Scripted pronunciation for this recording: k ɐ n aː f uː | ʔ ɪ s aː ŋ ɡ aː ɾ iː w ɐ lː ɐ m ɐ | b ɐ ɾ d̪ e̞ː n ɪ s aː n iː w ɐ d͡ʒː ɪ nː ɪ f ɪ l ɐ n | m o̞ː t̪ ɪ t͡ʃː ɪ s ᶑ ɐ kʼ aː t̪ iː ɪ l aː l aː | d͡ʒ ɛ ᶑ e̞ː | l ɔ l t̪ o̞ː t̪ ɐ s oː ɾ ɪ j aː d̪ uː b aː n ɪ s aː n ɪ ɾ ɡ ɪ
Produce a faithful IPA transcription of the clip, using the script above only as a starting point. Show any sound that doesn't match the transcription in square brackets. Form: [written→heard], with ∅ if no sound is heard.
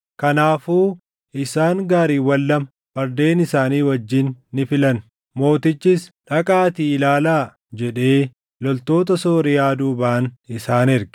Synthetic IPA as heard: k ɐ n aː f uː | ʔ ɪ s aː ŋ ɡ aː ɾ iː w ɐ lː ɐ m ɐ | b ɐ ɾ d̪ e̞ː n ɪ s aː n iː w ɐ d͡ʒː ɪ nː ɪ f ɪ l ɐ n | m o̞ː t̪ ɪ t͡ʃː ɪ s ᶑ ɐ kʼ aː t̪ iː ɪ l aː l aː | d͡ʒ ɛ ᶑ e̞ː | l ɔ l t̪ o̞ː t̪ ɐ s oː ɾ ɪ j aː d̪ uː b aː n ɪ s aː n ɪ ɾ ɡ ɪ